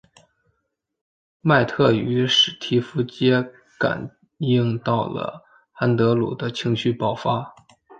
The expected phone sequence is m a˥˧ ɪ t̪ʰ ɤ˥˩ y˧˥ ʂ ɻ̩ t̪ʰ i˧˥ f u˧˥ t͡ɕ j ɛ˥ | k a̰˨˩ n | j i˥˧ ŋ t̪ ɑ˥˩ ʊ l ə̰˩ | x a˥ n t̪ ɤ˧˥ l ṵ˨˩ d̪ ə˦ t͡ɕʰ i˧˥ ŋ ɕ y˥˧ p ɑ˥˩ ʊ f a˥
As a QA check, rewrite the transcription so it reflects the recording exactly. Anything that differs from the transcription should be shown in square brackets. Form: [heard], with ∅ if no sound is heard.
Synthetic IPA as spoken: m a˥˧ ɪ t̪ʰ ɤ˥˩ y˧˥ ʂ ɻ̩ t̪ʰ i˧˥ f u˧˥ t͡ɕ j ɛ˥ | k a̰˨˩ n | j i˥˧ ŋ t̪ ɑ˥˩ ʊ l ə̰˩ | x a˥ n t̪ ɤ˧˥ l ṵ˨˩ d̪ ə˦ t͡ɕʰ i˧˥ ŋ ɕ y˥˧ p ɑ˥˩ ʊ f a˥